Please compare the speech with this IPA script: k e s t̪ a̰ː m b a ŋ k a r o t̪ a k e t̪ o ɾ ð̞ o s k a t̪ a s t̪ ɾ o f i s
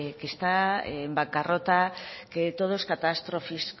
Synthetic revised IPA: k e s t̪ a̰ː m b a ŋ k a r o t̪ a k e t̪ o ð̞ o s k a t̪ a s t̪ ɾ o f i s